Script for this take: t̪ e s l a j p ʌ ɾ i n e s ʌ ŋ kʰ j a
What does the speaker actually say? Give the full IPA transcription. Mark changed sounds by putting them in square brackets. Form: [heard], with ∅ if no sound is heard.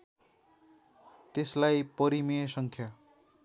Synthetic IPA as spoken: t̪ e s l a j p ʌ ɾ i [m] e s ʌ ŋ kʰ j a